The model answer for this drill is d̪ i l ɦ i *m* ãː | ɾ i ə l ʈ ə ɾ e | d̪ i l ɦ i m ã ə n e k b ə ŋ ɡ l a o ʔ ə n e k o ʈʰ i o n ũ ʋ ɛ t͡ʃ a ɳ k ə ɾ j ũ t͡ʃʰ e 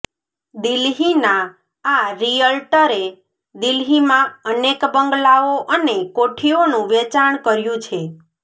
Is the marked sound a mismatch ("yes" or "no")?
yes